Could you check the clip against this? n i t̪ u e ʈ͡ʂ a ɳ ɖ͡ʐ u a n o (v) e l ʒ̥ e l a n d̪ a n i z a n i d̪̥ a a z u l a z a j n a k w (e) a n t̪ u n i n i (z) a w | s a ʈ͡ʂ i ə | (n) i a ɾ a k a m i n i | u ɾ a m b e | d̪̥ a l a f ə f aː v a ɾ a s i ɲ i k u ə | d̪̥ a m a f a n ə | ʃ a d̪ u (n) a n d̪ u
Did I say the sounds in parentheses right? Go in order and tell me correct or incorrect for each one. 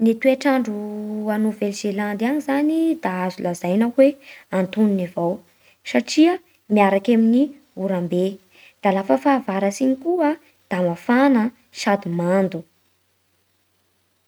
correct, correct, incorrect: v, incorrect: m, incorrect: m

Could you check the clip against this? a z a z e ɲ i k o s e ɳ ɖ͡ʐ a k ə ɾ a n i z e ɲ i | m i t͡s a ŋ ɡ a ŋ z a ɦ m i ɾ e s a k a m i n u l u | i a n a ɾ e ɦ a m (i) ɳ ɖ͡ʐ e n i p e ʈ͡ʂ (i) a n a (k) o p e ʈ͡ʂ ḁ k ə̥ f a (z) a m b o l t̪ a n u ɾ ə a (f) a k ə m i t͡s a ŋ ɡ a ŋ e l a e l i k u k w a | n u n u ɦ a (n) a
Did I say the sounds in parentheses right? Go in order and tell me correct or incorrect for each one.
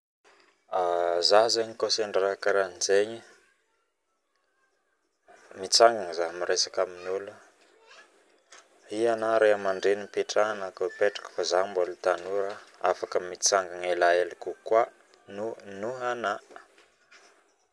incorrect: a, incorrect: a, correct, correct, correct, correct

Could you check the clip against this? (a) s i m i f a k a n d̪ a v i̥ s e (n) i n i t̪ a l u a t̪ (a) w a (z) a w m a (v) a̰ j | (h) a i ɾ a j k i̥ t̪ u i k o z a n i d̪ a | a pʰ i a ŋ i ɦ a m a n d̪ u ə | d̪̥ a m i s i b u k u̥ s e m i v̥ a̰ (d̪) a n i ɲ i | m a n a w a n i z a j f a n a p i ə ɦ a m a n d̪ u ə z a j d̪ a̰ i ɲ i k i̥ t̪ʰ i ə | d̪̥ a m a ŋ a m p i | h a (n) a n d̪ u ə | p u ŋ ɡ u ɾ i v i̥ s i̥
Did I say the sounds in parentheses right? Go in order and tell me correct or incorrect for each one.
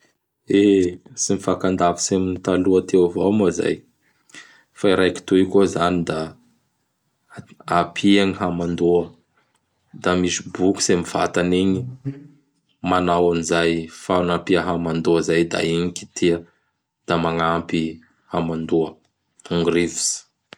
incorrect: e, incorrect: m, incorrect: e, incorrect: v, incorrect: z, incorrect: f, incorrect: t̪, incorrect: m

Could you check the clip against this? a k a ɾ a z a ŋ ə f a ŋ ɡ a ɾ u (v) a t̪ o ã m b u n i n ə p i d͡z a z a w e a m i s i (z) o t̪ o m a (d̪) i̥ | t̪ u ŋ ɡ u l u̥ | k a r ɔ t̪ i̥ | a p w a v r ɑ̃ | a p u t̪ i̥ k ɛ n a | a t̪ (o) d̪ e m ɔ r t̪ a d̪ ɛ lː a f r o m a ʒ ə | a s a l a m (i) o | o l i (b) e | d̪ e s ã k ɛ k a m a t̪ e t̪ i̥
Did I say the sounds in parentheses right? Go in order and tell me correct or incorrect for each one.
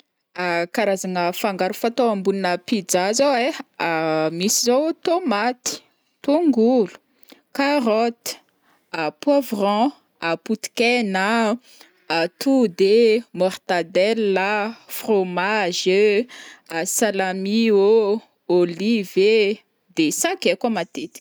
incorrect: f, correct, incorrect: t̪, incorrect: u, correct, incorrect: v

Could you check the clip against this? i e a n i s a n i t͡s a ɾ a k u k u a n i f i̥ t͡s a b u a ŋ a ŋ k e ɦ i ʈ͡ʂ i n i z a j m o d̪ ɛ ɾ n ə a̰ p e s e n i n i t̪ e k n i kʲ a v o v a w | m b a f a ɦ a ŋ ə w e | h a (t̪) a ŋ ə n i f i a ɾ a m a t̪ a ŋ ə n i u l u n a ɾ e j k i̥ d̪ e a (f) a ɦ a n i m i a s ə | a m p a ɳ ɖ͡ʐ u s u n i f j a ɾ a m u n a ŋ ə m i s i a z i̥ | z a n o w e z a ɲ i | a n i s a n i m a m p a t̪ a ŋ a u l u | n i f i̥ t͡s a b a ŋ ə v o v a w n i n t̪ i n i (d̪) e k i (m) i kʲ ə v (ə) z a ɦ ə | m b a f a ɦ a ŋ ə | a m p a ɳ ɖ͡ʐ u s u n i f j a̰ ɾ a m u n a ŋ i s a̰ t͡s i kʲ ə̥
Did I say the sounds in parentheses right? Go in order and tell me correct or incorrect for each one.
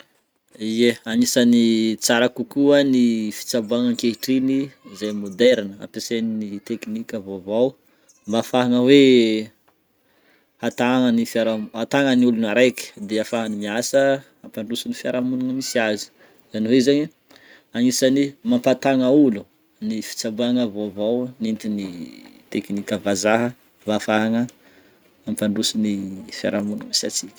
correct, correct, incorrect: t̪, incorrect: n, incorrect: a

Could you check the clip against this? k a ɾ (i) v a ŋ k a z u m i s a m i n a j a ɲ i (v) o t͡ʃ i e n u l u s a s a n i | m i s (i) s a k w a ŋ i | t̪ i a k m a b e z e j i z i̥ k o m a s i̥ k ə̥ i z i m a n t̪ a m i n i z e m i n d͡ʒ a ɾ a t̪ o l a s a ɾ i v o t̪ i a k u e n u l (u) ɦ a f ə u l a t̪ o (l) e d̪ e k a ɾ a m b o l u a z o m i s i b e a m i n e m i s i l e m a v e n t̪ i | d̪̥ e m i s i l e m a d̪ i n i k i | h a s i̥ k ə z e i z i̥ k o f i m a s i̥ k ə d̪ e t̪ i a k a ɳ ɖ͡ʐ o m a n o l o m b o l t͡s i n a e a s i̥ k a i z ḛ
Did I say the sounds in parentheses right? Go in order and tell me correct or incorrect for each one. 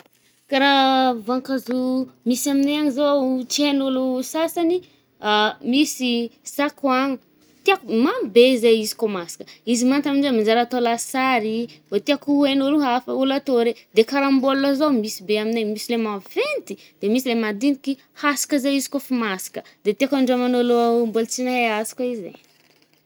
incorrect: a, incorrect: z, correct, correct, incorrect: ɾ

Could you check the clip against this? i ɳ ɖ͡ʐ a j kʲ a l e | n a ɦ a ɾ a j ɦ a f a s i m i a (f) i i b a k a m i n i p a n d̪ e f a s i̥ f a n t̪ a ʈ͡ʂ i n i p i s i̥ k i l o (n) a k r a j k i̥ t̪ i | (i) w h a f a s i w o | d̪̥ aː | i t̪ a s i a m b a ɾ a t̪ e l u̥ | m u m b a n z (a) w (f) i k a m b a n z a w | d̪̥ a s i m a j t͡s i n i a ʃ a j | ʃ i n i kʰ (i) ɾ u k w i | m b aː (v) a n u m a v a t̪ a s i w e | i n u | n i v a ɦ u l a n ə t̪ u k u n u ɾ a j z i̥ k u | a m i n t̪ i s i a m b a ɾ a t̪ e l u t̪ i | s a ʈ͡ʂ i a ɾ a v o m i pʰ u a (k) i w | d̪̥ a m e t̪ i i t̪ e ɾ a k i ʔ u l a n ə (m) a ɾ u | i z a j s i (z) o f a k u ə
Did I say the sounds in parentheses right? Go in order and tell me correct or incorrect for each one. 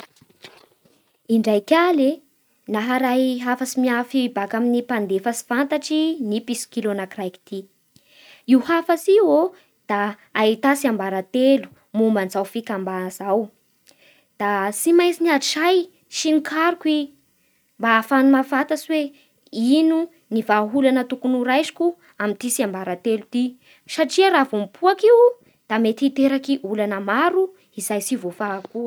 correct, correct, correct, correct, correct, incorrect: a, incorrect: f, correct, correct, incorrect: v

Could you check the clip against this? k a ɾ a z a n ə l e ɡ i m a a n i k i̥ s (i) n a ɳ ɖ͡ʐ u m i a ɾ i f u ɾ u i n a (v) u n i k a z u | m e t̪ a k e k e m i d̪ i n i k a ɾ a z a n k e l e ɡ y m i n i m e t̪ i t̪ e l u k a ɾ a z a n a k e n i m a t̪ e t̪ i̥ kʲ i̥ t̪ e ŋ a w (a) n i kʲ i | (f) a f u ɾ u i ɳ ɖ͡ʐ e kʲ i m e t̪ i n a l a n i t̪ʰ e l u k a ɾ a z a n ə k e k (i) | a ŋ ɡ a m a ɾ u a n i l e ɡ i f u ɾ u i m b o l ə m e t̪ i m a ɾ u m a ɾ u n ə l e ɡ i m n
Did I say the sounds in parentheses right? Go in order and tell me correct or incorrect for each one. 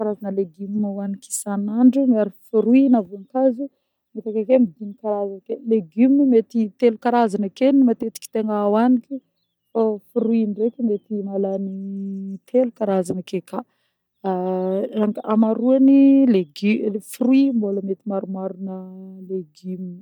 incorrect: a, correct, correct, correct, incorrect: a

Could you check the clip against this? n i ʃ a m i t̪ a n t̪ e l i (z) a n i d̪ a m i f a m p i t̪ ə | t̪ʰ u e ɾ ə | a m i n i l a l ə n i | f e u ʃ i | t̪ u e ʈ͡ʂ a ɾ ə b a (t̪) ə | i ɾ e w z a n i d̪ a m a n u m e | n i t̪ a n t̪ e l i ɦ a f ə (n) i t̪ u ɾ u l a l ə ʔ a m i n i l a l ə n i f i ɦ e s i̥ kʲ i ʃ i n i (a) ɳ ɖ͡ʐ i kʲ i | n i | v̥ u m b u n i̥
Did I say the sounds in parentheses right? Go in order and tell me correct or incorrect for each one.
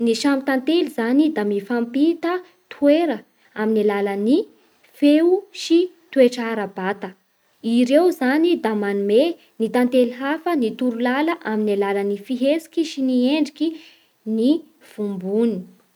correct, correct, correct, incorrect: e

